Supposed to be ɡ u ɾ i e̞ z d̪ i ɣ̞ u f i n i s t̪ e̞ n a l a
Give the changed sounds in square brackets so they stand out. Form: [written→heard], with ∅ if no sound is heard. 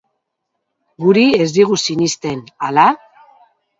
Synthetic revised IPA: ɡ u ɾ i e̞ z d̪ i ɣ̞ u [f→s] i n i s t̪ e̞ n a l a